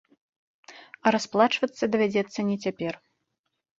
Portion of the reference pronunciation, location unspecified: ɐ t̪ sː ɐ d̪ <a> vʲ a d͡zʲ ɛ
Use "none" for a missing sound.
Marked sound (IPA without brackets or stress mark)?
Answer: ɐ